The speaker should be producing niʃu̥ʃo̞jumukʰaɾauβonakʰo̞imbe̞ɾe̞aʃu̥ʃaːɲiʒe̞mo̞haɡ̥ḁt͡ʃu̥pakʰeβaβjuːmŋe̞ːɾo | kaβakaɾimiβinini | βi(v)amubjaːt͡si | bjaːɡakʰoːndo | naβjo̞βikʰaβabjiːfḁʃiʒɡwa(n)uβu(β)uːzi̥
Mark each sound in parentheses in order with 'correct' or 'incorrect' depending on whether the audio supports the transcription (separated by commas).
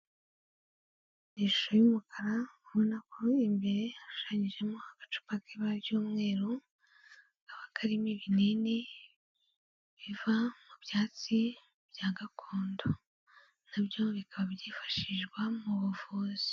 correct, incorrect, incorrect